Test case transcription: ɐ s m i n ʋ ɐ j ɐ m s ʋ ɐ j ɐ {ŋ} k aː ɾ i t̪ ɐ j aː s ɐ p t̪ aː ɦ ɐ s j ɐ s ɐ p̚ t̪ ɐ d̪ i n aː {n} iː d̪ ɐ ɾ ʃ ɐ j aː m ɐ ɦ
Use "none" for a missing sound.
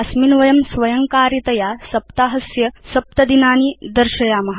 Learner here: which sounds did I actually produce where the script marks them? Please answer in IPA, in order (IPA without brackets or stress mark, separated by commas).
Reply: ŋ, n